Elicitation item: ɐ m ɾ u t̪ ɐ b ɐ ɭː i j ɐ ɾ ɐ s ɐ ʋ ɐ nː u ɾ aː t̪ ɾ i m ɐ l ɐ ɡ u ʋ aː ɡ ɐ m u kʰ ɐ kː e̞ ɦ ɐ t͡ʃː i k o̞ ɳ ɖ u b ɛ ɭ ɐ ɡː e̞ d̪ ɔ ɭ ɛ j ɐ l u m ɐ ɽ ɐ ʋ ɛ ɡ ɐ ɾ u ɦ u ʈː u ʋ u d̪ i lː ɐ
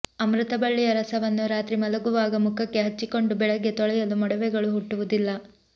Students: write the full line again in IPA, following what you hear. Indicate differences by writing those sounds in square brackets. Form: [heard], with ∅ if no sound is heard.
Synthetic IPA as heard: ɐ m ɾ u t̪ ɐ b ɐ ɭː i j ɐ ɾ ɐ s ɐ ʋ ɐ nː u ɾ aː t̪ ɾ i m ɐ l ɐ ɡ u ʋ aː ɡ ɐ m u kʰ ɐ kː e̞ ɦ ɐ t͡ʃː i k o̞ ɳ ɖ u b ɛ ɭ ɐ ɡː e̞ [t̪] ɔ ɭ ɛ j ɐ l u m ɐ ɽ ɐ ʋ ɛ ɡ ɐ [ɭ] u ɦ u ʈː u ʋ u d̪ i lː ɐ